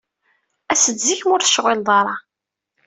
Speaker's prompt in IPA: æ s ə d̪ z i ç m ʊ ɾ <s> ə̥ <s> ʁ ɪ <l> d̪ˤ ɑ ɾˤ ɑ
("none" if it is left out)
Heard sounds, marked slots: θ, ʃ, l

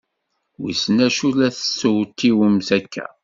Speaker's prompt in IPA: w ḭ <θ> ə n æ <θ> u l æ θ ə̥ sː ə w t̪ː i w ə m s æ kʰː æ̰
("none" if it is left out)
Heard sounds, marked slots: s, ʃ

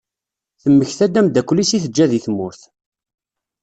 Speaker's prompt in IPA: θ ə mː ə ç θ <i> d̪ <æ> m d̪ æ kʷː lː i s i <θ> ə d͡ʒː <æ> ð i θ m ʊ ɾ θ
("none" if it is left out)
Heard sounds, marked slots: æ, æ, θ, æ

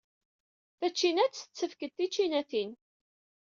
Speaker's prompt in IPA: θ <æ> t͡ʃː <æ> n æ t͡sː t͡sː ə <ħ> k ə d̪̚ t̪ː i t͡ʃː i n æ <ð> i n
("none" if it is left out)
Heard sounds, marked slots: æ, i, f, θ

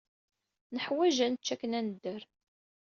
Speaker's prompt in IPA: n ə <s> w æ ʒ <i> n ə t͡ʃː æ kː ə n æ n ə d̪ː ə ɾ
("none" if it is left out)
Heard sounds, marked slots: ħ, æ

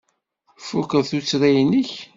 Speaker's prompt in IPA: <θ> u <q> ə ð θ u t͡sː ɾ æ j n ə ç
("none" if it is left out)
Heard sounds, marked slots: f, k

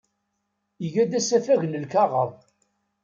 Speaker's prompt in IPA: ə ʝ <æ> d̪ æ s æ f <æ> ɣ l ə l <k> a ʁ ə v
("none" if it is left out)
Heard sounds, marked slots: æ, æ, k

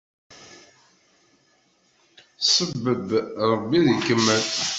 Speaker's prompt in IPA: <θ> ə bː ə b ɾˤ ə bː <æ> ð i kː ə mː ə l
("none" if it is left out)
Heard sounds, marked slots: s, i

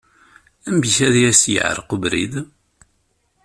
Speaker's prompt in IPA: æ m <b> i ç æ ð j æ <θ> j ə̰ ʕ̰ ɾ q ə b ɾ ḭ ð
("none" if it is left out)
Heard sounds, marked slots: b, s

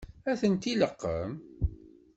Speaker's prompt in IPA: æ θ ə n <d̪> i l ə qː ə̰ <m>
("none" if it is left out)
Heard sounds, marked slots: t̪, m

